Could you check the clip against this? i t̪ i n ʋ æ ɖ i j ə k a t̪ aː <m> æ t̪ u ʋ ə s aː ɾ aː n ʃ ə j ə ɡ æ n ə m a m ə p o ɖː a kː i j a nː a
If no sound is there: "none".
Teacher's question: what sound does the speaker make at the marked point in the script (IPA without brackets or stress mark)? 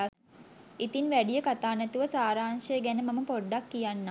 n